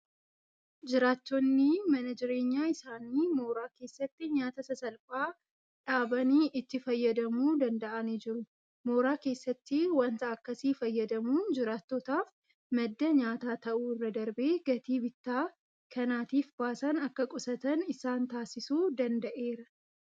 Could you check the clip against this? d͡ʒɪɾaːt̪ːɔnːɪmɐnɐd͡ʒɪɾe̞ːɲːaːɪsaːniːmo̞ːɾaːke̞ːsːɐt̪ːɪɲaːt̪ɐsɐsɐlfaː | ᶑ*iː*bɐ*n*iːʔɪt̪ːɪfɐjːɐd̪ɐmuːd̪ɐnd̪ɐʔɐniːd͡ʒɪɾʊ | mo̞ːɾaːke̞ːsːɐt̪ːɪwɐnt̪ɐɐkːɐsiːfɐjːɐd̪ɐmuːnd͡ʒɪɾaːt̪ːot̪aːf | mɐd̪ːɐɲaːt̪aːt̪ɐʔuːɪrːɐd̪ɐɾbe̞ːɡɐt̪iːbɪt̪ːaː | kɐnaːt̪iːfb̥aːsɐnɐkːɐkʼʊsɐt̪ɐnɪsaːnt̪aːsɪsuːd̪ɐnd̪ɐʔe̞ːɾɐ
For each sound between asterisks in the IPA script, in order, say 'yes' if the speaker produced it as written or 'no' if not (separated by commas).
no, yes